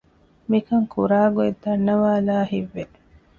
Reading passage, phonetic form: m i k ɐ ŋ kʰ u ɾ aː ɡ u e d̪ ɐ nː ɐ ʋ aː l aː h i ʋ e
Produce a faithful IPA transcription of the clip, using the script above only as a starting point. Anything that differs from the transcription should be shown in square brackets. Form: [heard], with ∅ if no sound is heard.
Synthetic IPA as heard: m i k ɐ ŋ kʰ u ɾ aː ɡ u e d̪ ɐ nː ɐ ʋ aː l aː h i [ʋː] e